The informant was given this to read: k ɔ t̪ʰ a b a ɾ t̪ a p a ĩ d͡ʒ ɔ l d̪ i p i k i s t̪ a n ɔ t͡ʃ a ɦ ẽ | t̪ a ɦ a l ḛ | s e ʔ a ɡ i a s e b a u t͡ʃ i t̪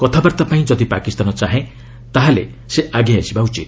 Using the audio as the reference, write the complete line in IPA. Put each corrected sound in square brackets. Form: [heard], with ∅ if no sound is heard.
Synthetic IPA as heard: k ɔ t̪ʰ a b a ɾ t̪ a p a ĩ d͡ʒ ɔ [∅] d̪ i p [a] k i s t̪ a n ɔ t͡ʃ a ɦ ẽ | t̪ a ɦ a l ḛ | s e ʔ a ɡ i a s [i] b a u t͡ʃ i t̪